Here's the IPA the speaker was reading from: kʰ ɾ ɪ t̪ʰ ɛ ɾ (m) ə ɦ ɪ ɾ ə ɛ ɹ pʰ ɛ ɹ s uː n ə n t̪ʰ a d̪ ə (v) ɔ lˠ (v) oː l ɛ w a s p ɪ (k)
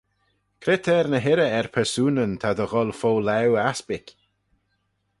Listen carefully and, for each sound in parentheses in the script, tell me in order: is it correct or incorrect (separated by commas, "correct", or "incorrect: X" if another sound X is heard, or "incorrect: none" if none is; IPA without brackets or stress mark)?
incorrect: n, incorrect: ɣ, incorrect: f, correct